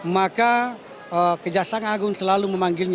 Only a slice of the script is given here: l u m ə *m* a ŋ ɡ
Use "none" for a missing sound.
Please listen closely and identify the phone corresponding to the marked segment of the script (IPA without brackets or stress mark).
m